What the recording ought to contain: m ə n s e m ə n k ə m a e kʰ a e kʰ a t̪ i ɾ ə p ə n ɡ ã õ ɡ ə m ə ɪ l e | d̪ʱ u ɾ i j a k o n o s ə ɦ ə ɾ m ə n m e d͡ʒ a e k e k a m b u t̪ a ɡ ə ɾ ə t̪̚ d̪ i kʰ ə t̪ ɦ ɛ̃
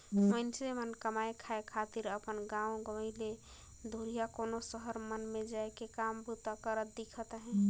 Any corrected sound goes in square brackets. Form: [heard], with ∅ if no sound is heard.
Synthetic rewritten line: m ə n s e m ə n k ə m a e kʰ a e kʰ a t̪ i ɾ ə p ə n ɡ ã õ ɡ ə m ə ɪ l e | d̪ʱ u ɾ i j a k o n o s ə ɦ ə ɾ m ə n m e d͡ʒ a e k e k a m b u t̪ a [k] ə ɾ ə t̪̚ d̪ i kʰ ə t̪ ɦ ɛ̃